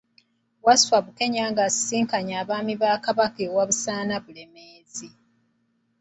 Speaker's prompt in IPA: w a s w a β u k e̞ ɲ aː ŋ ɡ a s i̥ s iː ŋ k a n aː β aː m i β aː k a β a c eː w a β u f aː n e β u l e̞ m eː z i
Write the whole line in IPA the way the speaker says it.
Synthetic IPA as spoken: w a s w a β u k e̞ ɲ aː ŋ ɡ a s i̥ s iː ŋ k a ɲ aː β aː m i β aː k a β a k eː w a β u s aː n a β u l e̞ m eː z i